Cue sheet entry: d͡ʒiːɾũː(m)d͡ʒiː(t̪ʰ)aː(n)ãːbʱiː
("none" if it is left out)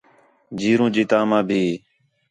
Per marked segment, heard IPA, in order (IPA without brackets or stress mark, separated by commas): none, t̪, m